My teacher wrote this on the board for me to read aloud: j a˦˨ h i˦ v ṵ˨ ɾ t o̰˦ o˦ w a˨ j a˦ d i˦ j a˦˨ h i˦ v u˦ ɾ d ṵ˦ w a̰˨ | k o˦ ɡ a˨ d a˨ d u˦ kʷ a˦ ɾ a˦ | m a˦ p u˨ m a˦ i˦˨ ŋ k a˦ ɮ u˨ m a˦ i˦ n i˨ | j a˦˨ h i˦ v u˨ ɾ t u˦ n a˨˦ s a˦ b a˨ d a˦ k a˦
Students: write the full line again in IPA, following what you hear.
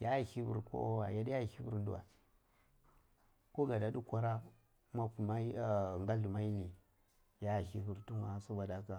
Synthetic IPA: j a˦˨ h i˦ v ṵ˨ ɾ k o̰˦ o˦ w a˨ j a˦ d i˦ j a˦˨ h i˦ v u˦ ɾ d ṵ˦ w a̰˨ | k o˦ ɡ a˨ d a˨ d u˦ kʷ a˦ ɾ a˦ | m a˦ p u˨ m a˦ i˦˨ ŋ ɡ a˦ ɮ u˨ m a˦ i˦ n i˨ | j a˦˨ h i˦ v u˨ ɾ t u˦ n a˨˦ s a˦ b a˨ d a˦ k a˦